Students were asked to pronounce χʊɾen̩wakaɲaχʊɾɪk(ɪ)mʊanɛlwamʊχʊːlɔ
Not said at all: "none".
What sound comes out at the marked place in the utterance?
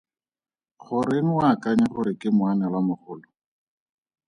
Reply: ɪ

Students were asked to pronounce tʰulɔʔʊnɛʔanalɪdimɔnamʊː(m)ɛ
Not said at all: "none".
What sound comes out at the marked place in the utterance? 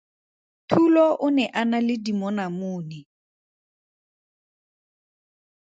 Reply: n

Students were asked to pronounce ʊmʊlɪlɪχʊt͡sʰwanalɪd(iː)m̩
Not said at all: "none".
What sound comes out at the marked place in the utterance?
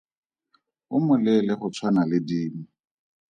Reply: iː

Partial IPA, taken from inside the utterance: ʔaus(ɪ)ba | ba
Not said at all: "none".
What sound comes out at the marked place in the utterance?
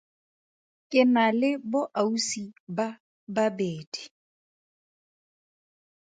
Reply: i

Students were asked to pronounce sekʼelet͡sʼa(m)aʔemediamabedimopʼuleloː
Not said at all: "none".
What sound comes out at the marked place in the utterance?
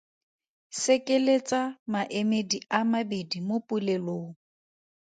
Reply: m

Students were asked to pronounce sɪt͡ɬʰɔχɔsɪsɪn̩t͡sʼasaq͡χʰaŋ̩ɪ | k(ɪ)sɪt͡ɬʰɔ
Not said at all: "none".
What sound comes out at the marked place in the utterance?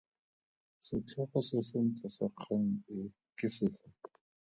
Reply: ɪ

